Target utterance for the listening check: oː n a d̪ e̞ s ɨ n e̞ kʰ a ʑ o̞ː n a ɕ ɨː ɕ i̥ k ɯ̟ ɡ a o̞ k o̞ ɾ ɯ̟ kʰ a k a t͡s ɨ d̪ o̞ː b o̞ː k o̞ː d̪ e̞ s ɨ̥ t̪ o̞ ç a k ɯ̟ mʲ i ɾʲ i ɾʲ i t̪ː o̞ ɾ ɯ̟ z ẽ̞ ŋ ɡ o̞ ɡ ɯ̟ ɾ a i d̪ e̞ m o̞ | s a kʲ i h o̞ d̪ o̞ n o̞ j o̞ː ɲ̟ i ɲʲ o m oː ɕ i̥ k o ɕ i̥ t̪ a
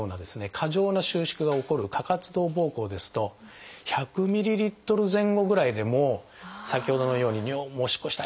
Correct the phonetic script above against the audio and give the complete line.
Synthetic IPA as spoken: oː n a d̪ e̞ s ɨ n e̞ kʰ a ʑ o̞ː n a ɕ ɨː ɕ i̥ k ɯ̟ ɡ a o̞ k o̞ ɾ ɯ̟ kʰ a k a t͡s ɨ d̪ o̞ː b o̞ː k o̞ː d̪ e̞ s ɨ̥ t̪ o̞ ç a k ɯ̟ mʲ i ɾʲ i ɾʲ i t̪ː o̞ ɾ ɯ̟ z ẽ̞ ŋ ɡ o̞ ɡ ɯ̟ ɾ a i d̪ e̞ m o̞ | s a kʲ i h o̞ d̪ o̞ n o̞ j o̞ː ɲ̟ i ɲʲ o m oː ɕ i̥ k o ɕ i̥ t̪ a